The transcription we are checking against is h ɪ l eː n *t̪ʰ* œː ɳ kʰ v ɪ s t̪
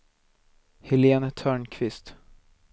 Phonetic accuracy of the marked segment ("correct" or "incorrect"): correct